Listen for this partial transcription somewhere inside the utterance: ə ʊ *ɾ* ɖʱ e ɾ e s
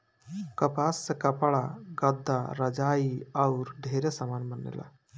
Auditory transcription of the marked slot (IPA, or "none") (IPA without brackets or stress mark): ɾ